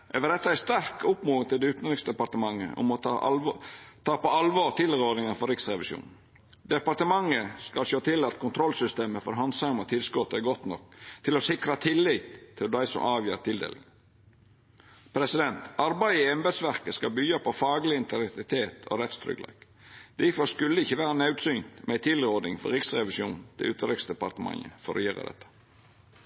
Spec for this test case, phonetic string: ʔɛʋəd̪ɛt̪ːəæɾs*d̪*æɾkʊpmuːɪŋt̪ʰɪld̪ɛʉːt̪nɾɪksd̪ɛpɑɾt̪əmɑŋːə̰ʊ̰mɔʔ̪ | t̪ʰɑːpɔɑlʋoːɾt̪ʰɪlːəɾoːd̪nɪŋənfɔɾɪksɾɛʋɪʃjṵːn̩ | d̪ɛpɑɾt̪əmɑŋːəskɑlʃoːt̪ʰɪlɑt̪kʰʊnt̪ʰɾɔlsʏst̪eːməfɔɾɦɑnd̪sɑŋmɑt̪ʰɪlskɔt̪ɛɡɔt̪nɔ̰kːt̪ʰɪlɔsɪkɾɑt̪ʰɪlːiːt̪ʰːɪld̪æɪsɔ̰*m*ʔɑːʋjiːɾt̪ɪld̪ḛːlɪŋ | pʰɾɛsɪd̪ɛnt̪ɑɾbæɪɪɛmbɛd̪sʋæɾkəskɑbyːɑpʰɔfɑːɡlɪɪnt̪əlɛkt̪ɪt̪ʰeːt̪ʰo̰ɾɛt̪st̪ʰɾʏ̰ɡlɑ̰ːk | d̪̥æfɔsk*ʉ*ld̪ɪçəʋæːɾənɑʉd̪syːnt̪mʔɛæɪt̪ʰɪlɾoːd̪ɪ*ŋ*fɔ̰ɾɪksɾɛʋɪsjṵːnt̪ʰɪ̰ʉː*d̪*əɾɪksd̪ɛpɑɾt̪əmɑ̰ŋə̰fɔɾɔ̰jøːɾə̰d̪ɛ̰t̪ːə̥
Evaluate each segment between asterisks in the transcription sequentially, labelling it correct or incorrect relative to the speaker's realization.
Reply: incorrect, correct, correct, correct, incorrect

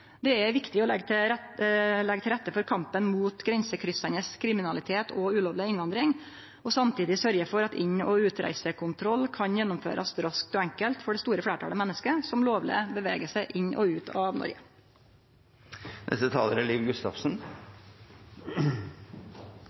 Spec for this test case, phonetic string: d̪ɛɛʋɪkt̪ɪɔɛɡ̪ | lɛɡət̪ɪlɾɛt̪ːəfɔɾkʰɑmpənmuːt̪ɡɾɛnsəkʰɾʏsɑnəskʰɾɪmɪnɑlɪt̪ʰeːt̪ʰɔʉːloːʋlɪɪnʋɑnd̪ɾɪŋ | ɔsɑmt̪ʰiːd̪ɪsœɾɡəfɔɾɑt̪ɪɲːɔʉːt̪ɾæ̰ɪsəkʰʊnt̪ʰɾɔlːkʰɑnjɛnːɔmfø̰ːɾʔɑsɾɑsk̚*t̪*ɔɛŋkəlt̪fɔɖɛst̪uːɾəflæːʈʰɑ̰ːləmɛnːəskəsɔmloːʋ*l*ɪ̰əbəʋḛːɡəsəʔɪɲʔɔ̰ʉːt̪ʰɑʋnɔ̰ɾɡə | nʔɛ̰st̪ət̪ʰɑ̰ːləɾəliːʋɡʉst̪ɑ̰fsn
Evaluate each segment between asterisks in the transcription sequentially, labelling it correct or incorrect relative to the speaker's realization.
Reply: correct, correct

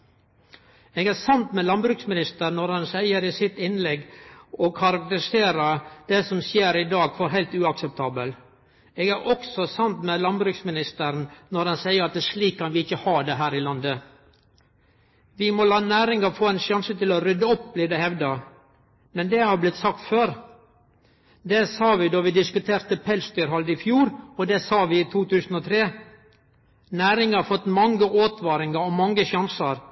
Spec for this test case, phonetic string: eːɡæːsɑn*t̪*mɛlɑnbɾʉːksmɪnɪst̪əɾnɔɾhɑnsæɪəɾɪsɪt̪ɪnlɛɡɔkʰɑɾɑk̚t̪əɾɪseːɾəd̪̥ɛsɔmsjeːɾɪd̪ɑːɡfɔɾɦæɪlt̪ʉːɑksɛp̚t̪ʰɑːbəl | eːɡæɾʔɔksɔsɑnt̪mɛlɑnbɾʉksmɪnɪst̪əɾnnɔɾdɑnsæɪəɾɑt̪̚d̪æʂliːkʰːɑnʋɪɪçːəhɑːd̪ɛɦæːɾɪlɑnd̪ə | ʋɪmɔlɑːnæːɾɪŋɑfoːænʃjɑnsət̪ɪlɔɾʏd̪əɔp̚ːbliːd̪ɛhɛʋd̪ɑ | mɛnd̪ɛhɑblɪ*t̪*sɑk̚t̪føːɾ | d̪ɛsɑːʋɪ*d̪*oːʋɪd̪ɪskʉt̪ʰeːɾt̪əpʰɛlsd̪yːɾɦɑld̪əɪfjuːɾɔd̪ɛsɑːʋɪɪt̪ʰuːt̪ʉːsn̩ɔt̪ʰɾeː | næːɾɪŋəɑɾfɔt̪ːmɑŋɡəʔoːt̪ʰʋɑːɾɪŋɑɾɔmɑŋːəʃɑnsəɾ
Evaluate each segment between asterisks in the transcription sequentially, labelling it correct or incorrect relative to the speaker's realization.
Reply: correct, correct, correct

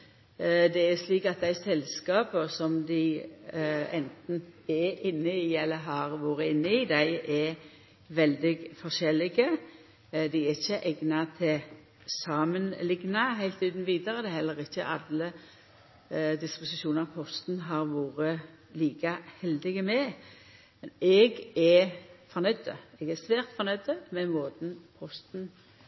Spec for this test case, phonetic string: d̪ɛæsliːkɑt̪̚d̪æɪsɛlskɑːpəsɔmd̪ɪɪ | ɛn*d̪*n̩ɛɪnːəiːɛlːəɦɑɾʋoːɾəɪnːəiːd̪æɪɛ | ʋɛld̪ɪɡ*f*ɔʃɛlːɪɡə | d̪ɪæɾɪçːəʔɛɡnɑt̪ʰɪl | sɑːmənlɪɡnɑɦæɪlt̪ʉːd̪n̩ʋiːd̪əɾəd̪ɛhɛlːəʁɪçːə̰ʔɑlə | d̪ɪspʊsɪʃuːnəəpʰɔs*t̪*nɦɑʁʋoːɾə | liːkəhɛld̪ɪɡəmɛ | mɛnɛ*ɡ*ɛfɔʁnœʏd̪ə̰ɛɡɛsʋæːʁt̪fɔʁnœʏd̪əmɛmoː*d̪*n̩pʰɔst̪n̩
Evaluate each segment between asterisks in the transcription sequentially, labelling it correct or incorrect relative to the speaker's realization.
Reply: incorrect, correct, correct, correct, correct

